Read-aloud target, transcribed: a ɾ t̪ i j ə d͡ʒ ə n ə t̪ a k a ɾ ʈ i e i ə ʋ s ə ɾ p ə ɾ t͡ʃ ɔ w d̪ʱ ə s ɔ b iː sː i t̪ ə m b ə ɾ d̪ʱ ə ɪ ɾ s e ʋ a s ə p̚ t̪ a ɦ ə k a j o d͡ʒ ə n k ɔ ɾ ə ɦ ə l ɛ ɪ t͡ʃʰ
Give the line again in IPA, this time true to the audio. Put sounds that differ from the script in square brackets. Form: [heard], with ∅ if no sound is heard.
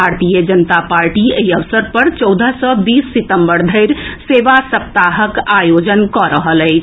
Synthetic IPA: a ɾ t̪ i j ə d͡ʒ ə n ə t̪ a [p] a ɾ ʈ i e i ə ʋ s ə ɾ p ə ɾ t͡ʃ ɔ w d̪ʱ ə s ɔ b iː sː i t̪ ə m b ə ɾ d̪ʱ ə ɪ ɾ s e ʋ a s ə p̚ t̪ a ɦ ə k a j o d͡ʒ ə n k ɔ ɾ ə ɦ ə l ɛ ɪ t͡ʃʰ